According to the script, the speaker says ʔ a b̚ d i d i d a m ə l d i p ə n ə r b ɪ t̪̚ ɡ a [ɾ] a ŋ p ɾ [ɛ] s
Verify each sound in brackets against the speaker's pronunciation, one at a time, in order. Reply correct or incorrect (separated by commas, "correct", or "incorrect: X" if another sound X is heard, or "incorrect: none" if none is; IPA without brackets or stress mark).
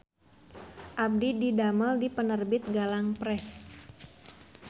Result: incorrect: l, correct